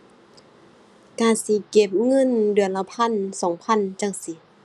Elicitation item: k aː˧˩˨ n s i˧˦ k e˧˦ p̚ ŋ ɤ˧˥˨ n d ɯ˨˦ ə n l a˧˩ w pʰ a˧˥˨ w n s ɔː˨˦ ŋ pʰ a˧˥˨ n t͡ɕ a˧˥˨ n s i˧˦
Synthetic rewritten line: k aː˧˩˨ n s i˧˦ k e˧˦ p̚ ŋ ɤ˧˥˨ n d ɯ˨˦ ə n l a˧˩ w pʰ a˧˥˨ n s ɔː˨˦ ŋ pʰ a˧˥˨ n t͡ɕ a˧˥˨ ŋ s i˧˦